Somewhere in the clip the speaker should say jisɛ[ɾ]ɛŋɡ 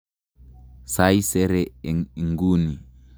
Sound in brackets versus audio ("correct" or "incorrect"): correct